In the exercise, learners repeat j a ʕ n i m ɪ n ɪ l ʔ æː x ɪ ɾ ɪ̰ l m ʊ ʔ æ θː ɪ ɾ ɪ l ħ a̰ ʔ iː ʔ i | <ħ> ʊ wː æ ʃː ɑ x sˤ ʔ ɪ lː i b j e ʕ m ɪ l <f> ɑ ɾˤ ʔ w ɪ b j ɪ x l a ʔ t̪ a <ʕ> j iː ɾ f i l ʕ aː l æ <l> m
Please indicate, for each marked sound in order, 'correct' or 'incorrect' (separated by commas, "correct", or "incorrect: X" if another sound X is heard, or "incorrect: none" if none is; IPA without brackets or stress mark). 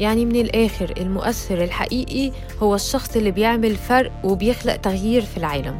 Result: incorrect: h, correct, incorrect: ɣ, incorrect: none